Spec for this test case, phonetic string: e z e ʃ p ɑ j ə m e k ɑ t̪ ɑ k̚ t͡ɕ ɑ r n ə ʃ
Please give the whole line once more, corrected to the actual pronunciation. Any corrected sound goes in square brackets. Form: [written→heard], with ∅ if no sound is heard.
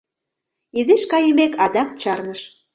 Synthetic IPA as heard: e z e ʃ [p→k] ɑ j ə m e k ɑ [t̪→d̪] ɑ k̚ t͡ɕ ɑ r n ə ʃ